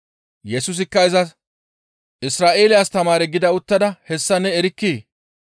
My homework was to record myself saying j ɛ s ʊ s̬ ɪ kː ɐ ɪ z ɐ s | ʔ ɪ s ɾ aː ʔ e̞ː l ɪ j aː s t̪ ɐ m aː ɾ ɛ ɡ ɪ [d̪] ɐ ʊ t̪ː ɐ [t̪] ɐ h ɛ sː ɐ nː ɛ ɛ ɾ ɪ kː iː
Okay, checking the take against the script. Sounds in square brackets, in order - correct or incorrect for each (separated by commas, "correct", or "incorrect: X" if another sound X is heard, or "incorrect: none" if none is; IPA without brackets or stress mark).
correct, incorrect: d̪